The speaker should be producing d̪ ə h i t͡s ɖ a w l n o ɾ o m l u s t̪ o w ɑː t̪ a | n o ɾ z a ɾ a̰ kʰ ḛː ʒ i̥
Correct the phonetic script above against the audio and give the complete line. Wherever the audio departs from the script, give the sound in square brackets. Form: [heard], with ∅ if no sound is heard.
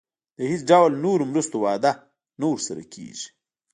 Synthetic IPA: d̪ ə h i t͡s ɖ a w l n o ɾ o m [ɾ] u s t̪ o w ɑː [d̪] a | n o ɾ [s] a ɾ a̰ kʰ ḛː ʒ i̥